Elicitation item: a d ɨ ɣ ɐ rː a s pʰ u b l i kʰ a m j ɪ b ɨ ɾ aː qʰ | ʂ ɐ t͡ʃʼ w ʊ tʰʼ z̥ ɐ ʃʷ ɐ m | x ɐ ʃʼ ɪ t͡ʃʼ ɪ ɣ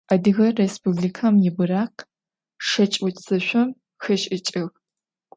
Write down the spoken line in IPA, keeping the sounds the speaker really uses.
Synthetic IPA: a d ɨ ɣ ɐ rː e s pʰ u b l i kʰ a m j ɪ b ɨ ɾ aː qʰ | ʂ ɐ t͡ʃʼ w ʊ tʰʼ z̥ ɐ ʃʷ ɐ m | x ɐ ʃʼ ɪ t͡ʃʼ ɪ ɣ

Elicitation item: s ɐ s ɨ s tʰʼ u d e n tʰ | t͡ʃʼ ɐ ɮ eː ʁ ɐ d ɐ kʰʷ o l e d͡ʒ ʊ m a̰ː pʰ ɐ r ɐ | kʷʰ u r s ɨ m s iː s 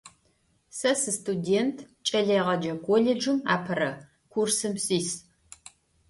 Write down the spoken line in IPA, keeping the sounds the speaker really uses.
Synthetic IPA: s ɐ s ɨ s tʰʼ u d e n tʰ | t͡ʃʼ ɐ ɮ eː ʁ ɐ d͡ʒ ɐ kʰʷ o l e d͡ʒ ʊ m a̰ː pʰ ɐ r ɐ | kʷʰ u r s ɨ m s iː s

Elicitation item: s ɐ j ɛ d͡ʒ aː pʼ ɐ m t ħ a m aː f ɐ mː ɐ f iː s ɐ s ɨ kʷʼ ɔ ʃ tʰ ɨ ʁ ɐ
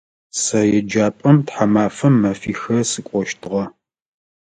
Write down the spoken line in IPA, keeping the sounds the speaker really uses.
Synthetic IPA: s ɐ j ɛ d͡ʒ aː pʼ ɐ m t ħ a m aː f ɐ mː ɐ f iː x ɐ s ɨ kʷʼ ɔ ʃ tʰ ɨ ʁ ɐ

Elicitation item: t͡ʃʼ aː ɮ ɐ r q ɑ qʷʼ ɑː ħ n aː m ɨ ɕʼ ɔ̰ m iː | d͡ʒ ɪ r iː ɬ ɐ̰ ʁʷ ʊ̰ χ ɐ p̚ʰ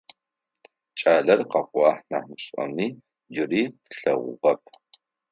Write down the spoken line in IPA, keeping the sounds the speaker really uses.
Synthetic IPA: t͡ʃʼ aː ɮ ɐ r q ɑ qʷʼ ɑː ħ n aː m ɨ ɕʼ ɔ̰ m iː | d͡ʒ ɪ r iː ɬ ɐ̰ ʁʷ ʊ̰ ʁ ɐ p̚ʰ

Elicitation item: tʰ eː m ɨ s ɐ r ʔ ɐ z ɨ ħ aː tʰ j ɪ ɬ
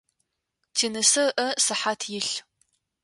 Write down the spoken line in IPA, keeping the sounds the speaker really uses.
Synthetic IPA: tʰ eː n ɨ s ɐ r ʔ ɐ s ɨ ħ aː tʰ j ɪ ɬ

